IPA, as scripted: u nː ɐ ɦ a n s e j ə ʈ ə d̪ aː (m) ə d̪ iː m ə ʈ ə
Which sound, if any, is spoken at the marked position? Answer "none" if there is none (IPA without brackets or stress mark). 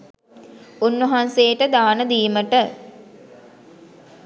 n